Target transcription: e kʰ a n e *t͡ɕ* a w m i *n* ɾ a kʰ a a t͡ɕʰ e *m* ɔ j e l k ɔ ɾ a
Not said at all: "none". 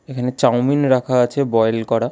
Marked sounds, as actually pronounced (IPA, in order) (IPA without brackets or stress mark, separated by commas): t͡ɕ, n, b